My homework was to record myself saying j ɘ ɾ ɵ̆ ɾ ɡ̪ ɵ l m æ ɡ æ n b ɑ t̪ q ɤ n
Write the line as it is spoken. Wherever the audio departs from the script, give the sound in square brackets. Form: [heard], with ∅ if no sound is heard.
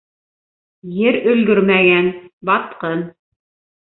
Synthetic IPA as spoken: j ɘ ɾ ɵ̆ [l] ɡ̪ ɵ [ɾ] m æ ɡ æ n b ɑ t̪ q ɤ n